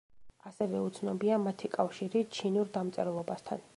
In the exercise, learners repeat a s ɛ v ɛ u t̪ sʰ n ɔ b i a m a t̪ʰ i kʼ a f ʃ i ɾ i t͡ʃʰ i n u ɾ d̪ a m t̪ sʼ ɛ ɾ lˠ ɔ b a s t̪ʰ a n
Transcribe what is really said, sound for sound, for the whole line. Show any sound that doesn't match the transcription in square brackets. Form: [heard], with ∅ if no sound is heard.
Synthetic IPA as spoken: a s ɛ v ɛ u t̪ sʰ n ɔ b i a m a t̪ʰ i kʼ a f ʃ i ɾ i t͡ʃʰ i n u ɾ d̪ a m t̪ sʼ ɛ ɾ lˠ ɔ b a s t̪ʰ a n